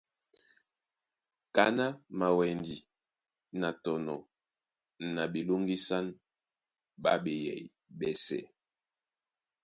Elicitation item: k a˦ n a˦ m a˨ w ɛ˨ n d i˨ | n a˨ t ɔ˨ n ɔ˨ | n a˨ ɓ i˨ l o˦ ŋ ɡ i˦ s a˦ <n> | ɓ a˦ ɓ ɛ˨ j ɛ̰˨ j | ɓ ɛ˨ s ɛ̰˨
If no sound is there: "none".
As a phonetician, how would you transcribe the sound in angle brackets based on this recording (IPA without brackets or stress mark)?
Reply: n